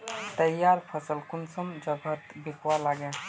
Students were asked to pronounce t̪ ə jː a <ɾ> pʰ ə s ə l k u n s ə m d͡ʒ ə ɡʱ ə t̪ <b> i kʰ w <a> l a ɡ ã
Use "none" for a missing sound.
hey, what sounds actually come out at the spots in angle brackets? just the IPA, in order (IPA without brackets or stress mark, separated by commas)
ɾ, b, a